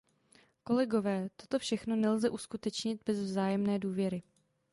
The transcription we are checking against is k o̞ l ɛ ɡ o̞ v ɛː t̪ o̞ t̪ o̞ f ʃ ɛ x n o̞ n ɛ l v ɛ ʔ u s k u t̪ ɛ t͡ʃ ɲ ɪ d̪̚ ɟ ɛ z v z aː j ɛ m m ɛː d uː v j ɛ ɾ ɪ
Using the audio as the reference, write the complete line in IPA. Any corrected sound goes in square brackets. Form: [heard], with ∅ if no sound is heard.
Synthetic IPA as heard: k o̞ l ɛ ɡ o̞ v ɛː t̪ o̞ t̪ o̞ f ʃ ɛ x n o̞ n ɛ l [z] ɛ ʔ u s k u t̪ ɛ t͡ʃ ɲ ɪ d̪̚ [b] ɛ z v z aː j ɛ m [n] ɛː d uː v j ɛ ɾ ɪ